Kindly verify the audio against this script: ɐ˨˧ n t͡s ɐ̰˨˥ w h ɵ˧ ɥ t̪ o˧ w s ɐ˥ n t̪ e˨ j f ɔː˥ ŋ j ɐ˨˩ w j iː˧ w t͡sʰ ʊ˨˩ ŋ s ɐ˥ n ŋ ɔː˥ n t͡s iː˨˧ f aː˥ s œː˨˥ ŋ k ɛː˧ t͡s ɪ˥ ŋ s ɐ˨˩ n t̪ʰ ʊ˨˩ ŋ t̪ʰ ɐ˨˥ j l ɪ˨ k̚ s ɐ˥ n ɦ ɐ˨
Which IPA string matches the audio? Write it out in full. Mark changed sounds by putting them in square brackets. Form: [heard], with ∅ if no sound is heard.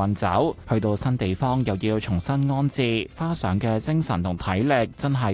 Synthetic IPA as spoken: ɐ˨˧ n t͡s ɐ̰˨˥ w h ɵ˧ ɥ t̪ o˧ w s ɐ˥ n t̪ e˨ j f ɔː˥ ŋ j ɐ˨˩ w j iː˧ w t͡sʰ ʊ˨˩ ŋ s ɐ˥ n ŋ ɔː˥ n t͡s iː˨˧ f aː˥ s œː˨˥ ŋ k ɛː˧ t͡s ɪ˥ ŋ s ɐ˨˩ n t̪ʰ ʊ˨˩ ŋ t̪ʰ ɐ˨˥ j l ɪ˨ k̚ [t͡s] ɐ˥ n ɦ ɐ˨